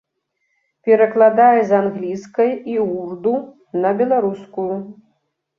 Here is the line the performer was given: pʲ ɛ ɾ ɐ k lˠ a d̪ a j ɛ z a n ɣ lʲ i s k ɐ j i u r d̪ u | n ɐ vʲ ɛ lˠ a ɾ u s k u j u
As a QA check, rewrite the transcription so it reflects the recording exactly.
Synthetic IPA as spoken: pʲ ɛ ɾ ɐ k lˠ a d̪ a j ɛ z a n ɣ lʲ i s k ɐ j i u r d̪ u | n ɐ bʲ ɛ lˠ a ɾ u s k u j u

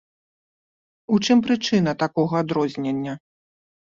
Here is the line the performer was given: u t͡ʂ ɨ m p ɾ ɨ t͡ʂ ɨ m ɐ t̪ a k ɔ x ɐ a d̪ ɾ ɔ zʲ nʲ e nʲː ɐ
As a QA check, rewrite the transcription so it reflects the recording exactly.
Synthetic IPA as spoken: u t͡ʂ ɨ m p ɾ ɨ t͡ʂ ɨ n ɐ t̪ a k ɔ ɣ ɐ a d̪ ɾ ɔ zʲ nʲ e nʲː ɐ

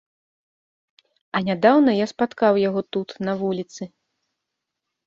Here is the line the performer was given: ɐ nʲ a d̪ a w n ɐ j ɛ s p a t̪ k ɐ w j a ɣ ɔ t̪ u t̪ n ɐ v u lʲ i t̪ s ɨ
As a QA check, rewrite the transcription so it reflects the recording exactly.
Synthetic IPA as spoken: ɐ nʲ a d̪ a w n ɐ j a s p a t̪ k a w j a ɣ ɔ t̪ u t̪ n ɐ v u lʲ i t̪ s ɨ

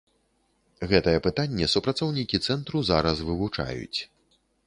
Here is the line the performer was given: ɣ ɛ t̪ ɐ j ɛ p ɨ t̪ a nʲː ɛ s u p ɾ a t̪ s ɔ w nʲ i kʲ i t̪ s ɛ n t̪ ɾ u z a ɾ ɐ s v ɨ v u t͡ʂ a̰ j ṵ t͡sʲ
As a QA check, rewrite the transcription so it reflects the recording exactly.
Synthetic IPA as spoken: ɣ ɛ t̪ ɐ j ɛ p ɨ t̪ a nʲː ɛ s u p ɾ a t̪ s ɔ w nʲ i kʲ i t̪ s ɛ n t̪ ɾ u z a ɾ ɐ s v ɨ v u t͡ʂ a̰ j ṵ t͡sʲ

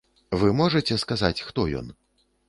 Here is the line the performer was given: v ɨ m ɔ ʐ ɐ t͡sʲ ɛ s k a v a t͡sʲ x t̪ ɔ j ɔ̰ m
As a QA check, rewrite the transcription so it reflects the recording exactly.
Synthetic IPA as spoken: v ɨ m ɔ ʐ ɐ t͡sʲ ɛ s k a z a t͡sʲ x t̪ ɔ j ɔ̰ n

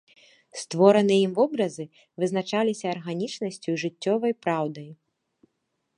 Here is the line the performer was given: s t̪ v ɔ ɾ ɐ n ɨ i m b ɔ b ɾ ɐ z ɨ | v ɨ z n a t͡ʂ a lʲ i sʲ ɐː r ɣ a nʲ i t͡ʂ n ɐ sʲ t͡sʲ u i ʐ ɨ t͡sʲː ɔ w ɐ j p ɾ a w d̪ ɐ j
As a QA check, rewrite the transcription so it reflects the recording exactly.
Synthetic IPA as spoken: s t̪ v ɔ ɾ ɐ n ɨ i m v ɔ b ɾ ɐ z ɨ | v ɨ z n a t͡ʂ a lʲ i sʲ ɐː r ɣ a nʲ i t͡ʂ n ɐ sʲ t͡sʲ u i ʐ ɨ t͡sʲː ɔ v ɐ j p ɾ a w d̪ ɐ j

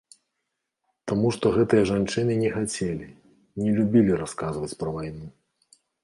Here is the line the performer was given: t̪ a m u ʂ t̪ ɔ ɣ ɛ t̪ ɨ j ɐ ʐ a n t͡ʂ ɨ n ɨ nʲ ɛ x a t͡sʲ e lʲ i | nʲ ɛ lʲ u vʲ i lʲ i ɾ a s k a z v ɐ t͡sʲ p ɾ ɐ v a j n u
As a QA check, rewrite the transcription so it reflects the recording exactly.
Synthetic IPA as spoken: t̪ a m u ʂ t̪ ɔ ɣ ɛ t̪ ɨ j ɐ ʐ a n t͡ʂ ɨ n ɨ nʲ ɛ x a t͡sʲ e lʲ i | nʲ ɛ lʲ u bʲ i lʲ i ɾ a s k a z v ɐ t͡sʲ p ɾ ɐ v a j n u

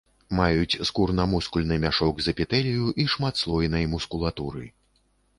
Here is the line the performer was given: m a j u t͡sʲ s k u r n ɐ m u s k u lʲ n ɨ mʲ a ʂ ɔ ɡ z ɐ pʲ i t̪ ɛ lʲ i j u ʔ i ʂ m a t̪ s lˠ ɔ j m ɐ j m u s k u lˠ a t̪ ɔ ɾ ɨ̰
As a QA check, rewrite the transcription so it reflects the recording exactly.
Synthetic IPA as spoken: m a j u t͡sʲ s k u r n ɐ m u s k u lʲ n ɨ mʲ a ʂ ɔ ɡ z ɐ pʲ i t̪ ɛ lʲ i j u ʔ i ʂ m a t̪ s lˠ ɔ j n ɐ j m u s k u lˠ a t̪ u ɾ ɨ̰

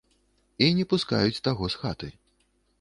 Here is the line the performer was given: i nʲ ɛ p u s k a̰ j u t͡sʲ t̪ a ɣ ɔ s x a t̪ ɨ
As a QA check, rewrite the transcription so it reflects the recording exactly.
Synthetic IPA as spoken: i nʲ ɛ p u s k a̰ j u t͡sʲ t̪ a ɣ ɔ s x a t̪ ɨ

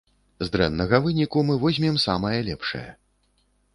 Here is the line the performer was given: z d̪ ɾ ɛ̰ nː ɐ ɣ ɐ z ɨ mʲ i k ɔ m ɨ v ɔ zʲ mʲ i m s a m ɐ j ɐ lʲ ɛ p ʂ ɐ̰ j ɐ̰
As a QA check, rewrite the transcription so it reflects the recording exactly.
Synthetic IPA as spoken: z d̪ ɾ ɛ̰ nː ɐ ɣ ɐ v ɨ nʲ i k u m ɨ v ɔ zʲ mʲ ɛ m s a m ɐ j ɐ lʲ ɛ p ʂ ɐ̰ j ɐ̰

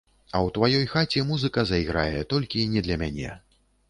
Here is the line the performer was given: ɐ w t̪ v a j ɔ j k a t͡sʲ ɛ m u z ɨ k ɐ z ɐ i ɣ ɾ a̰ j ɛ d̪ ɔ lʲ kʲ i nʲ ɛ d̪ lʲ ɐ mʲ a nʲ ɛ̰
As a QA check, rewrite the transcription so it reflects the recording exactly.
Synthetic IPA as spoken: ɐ w t̪ v a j ɔ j x a t͡sʲ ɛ m u z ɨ k ɐ z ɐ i ɣ ɾ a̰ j ɛ t̪ ɔ lʲ kʲ i nʲ ɛ d̪ lʲ ɐ mʲ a nʲ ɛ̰

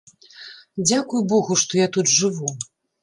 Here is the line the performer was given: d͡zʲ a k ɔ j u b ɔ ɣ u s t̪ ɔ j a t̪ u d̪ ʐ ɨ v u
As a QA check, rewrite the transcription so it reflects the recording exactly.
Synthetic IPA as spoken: d͡zʲ a k u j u b ɔ ɣ u ʂ t̪ ɔ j a t̪ u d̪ ʐ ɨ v u

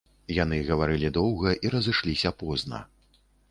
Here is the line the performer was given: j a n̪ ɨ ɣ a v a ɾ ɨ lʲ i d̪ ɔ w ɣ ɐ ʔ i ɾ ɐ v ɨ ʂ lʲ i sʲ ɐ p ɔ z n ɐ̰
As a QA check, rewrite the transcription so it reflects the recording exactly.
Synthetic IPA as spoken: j a n̪ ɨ ɣ ɐ v a ɾ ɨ lʲ i d̪ ɔ w ɣ ɐ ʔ i ɾ ɐ z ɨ ʂ lʲ i sʲ ɐ p ɔ z n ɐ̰

